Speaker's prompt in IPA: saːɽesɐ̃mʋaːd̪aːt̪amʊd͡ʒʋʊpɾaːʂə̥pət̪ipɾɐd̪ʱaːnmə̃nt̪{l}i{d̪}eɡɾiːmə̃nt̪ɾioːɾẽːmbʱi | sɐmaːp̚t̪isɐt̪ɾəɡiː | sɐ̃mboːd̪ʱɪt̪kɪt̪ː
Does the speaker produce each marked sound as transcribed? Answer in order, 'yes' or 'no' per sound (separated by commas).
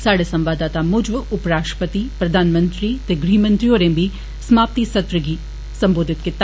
no, no